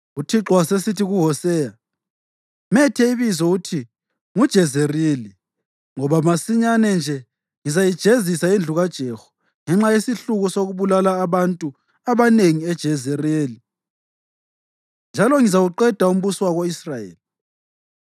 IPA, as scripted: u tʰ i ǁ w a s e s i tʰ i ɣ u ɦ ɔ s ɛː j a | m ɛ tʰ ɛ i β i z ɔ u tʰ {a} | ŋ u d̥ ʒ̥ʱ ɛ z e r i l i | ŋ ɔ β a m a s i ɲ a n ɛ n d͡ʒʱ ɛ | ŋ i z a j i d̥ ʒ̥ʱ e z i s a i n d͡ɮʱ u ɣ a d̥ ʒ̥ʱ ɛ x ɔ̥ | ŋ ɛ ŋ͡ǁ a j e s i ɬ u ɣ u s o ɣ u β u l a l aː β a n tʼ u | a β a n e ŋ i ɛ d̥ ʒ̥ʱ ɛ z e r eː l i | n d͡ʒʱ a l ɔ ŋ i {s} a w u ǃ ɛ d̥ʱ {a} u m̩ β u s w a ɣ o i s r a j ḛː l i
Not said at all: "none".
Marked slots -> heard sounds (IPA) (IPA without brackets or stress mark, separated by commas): i, z, a